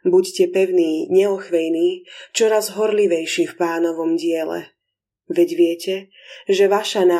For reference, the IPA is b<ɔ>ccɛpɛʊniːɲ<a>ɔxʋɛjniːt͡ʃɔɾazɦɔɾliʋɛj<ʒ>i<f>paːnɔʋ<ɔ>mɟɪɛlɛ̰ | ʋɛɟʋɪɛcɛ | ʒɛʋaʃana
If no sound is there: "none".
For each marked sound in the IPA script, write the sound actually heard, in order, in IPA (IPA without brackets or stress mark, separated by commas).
u, ɛ, ʃ, f, ɔ